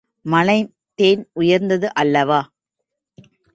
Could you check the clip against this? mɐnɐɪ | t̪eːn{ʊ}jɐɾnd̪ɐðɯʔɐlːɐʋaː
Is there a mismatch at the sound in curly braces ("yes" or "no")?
no